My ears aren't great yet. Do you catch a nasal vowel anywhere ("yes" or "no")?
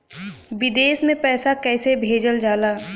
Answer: yes